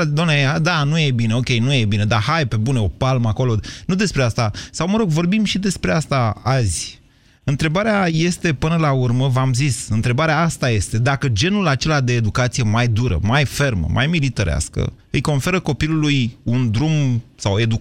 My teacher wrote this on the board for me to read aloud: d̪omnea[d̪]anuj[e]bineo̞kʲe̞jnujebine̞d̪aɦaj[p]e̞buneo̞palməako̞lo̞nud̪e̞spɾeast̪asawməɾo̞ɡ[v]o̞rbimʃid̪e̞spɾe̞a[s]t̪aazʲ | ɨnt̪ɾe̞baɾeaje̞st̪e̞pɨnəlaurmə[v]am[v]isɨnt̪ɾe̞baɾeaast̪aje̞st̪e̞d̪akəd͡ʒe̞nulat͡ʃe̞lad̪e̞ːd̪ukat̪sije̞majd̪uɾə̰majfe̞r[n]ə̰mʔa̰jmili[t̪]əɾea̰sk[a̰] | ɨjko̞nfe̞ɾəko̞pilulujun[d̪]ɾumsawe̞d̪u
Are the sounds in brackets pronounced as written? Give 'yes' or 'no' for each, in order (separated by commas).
yes, yes, yes, yes, yes, yes, no, no, yes, no, yes